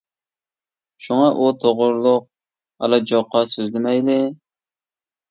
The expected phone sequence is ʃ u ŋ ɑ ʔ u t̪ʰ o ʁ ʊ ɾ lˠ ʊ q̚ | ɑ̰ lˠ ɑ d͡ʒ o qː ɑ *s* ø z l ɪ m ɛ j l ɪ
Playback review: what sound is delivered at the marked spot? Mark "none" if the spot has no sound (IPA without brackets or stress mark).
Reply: s